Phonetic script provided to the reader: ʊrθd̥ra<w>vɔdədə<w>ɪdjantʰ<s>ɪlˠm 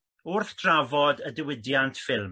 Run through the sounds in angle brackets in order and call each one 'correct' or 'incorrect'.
incorrect: none, correct, incorrect: f

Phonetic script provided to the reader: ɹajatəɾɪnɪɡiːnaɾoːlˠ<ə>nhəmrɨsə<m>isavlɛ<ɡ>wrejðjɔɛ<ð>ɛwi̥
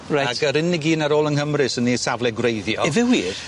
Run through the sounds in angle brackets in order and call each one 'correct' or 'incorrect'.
correct, incorrect: n, correct, incorrect: v

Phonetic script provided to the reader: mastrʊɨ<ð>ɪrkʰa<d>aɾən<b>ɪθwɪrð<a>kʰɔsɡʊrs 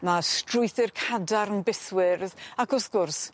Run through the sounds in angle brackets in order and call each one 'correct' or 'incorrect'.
incorrect: θ, correct, correct, correct

